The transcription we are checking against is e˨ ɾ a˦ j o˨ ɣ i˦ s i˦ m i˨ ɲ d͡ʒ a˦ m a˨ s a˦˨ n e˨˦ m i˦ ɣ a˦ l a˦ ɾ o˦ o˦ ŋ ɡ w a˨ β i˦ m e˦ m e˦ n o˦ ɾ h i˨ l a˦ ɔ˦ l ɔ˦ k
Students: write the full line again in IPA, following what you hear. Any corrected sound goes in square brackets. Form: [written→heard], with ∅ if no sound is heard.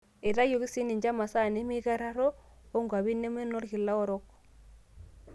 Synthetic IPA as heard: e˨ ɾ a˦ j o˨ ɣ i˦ s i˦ [m→n] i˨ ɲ d͡ʒ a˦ m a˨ s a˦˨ n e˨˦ m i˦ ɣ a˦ [l→ɾ] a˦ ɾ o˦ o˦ ŋ ɡ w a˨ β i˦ [m→n] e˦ m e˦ n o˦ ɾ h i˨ l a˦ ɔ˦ [l→ɾ] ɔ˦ k